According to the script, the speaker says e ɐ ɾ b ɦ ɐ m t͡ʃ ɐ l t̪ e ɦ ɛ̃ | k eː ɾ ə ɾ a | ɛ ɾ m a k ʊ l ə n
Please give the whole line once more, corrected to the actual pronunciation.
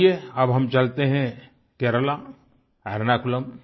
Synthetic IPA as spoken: e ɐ b ɦ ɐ m t͡ʃ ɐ l t̪ e ɦ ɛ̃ | k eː ɾ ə l a | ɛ ɾ n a k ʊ l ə m

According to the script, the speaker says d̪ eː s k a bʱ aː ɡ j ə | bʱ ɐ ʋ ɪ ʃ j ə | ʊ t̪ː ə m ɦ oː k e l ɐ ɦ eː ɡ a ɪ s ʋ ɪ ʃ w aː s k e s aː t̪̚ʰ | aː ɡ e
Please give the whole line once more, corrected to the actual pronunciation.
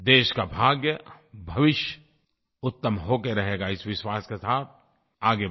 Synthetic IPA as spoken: d̪ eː ʃ k a bʱ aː ɡ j ə | bʱ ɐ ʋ ɪ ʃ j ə | ʊ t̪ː ə m ɦ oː k e ɾ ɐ ɦ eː ɡ a ɪ s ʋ ɪ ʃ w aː s k e s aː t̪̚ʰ | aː ɡ e

